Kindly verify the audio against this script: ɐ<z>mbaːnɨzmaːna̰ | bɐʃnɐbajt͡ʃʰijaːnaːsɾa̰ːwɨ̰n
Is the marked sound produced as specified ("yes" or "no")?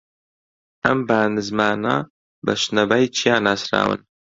no